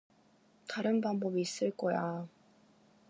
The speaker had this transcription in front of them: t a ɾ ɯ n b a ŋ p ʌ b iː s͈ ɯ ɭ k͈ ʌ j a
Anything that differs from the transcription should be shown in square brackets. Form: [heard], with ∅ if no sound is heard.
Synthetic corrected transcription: t a ɾ ɯ n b a ŋ [b] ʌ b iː s͈ ɯ ɭ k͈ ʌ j a